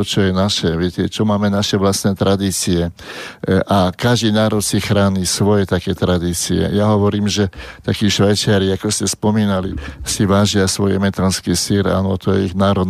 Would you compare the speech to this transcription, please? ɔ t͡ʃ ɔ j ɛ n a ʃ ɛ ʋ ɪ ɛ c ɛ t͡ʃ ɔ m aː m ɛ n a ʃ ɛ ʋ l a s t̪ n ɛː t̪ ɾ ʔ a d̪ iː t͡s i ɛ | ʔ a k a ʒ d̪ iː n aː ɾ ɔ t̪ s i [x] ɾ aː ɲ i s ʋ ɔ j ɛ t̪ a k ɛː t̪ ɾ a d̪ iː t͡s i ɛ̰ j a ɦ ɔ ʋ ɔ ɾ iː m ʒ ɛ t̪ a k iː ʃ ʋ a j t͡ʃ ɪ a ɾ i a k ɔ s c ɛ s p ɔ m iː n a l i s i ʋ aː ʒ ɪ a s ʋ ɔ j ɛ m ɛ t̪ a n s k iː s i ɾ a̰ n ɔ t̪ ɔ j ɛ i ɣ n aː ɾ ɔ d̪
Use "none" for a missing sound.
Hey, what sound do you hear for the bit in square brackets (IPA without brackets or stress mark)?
x